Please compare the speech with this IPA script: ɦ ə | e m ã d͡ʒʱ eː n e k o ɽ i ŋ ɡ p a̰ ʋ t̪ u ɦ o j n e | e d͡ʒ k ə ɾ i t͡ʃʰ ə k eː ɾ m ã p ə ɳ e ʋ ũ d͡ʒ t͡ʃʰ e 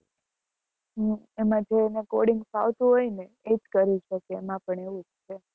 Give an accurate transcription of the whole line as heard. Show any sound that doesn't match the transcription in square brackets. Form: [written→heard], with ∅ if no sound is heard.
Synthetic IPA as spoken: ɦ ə | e m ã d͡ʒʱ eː n e k o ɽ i ŋ ɡ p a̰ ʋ t̪ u ɦ o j n e | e d͡ʒ k ə ɾ i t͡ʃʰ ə k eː [ɾ→∅] m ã p ə ɳ e ʋ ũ d͡ʒ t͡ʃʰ e